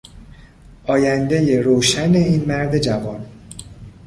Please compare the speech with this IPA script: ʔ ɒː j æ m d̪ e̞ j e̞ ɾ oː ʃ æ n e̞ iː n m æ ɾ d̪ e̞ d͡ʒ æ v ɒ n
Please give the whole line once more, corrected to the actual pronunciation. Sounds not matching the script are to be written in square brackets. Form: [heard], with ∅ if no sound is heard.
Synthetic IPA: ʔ ɒː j æ [n] d̪ e̞ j e̞ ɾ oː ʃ æ n e̞ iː n m æ ɾ d̪ e̞ d͡ʒ æ v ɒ n